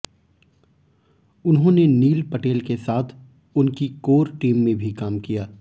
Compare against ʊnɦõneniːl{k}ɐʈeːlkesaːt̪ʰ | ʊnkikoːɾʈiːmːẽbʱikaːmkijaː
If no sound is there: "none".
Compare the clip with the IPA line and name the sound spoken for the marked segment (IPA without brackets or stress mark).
p